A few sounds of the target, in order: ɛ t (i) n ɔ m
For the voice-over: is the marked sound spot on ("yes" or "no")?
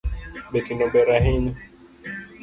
yes